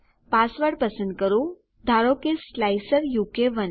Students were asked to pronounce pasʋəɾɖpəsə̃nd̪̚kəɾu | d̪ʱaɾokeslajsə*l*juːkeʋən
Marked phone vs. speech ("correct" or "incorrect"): incorrect